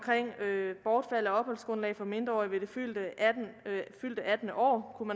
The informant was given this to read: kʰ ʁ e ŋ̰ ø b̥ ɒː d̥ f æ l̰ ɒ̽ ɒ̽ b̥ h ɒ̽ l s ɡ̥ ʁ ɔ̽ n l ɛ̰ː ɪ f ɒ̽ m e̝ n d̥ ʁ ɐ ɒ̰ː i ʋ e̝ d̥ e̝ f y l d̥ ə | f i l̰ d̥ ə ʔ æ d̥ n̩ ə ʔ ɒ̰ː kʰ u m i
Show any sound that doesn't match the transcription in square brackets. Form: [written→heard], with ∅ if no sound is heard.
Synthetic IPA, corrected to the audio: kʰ ʁ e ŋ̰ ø b̥ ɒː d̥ f æ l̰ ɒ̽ ɒ̽ b̥ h ɒ̽ l s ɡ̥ ʁ ɔ̽ n l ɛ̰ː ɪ f ɒ̽ m e̝ n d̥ ʁ ɐ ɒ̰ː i ʋ e̝ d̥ e̝ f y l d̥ ə | f [i→y] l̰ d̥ ə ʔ æ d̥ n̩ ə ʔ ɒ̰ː kʰ u m [i→æ]